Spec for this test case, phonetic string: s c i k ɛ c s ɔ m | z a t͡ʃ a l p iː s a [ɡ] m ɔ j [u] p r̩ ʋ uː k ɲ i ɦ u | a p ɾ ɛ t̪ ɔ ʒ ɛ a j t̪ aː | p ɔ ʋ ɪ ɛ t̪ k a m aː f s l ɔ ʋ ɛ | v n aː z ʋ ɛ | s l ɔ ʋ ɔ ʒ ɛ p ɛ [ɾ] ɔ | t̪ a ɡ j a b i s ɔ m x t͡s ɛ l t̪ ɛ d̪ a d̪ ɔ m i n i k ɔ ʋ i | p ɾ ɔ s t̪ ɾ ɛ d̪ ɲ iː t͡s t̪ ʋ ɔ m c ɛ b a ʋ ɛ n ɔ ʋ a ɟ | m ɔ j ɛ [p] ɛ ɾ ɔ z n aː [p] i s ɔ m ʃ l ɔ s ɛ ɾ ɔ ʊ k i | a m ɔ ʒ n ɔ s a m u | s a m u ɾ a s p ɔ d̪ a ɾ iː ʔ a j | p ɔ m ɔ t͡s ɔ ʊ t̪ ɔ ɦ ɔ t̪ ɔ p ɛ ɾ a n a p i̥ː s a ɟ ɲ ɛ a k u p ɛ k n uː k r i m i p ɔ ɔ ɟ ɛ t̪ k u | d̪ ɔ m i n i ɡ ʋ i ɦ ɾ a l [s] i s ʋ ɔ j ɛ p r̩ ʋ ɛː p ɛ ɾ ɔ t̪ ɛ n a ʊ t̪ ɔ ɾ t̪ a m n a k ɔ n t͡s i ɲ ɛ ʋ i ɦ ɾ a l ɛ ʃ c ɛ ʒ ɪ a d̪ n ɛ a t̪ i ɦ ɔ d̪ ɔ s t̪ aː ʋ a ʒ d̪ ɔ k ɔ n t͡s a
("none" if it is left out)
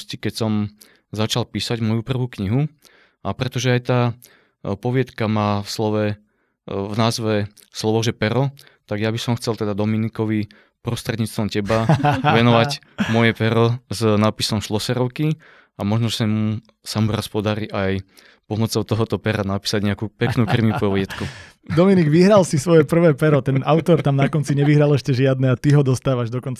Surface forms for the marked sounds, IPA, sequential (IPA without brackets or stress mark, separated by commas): ɟ, u, ɾ, p, p, s